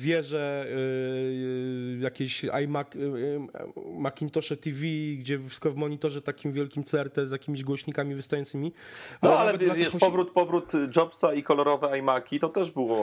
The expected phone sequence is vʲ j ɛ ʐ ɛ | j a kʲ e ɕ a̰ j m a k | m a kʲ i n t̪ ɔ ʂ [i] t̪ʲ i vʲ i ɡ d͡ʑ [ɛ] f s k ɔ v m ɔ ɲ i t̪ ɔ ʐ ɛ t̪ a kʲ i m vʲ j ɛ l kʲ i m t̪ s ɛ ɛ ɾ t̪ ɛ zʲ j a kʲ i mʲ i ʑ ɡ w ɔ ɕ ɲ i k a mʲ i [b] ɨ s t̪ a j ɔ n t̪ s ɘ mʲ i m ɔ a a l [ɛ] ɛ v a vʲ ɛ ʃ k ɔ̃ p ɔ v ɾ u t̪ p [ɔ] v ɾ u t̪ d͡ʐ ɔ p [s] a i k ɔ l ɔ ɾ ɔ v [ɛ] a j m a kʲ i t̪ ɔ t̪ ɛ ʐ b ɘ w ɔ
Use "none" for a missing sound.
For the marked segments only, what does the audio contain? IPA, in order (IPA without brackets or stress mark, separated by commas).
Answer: ɛ, ɛ, v, ɛ, ɔ, s, ɛ